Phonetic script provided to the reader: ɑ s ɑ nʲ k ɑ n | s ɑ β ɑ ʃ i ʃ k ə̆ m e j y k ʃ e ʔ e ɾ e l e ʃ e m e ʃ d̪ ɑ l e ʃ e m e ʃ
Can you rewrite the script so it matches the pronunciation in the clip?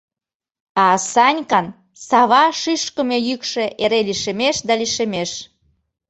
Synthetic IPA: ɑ s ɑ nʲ k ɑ n | s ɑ β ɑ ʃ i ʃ k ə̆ m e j y k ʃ e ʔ e ɾ e l i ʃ e m e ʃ d̪ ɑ l i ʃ e m e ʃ